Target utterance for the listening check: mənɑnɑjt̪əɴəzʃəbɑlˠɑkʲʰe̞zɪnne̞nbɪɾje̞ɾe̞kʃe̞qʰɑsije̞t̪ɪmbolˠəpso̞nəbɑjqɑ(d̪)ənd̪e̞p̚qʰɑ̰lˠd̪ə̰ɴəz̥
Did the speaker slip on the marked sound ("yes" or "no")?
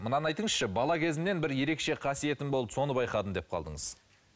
no